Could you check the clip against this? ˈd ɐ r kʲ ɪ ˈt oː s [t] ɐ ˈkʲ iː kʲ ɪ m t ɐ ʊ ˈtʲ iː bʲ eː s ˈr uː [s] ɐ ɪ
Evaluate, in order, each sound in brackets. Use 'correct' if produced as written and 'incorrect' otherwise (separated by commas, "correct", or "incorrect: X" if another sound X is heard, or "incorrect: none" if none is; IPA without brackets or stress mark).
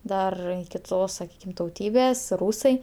incorrect: s, correct